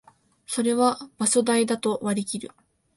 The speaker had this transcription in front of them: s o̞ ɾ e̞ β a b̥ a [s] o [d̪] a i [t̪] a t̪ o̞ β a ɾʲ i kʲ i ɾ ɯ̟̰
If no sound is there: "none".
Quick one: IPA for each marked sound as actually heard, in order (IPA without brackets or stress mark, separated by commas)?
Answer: s, d̪, d̪